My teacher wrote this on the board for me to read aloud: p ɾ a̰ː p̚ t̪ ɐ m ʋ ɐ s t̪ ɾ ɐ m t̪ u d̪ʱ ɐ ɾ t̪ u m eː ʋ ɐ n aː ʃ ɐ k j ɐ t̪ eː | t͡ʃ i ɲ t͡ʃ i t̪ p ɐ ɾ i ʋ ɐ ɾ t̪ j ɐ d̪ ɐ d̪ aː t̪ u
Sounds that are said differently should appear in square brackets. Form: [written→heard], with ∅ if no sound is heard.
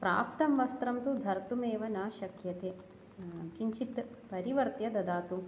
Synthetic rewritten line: p ɾ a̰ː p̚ t̪ ɐ m ʋ ɐ s t̪ ɾ ɐ m t̪ u d̪ʱ ɐ ɾ t̪ u m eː ʋ ɐ n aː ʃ ɐ k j ɐ t̪ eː | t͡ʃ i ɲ t͡ʃ i t̪ p ɐ ɾ i ʋ ɐ ɾ t̪ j ɐ d̪ ɐ d̪ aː t̪ u